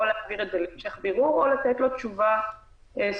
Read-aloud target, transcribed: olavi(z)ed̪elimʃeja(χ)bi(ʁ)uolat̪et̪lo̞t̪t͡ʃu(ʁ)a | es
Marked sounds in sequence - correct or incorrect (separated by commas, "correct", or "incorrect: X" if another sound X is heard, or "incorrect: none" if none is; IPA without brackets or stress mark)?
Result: incorrect: ʁ, correct, correct, incorrect: v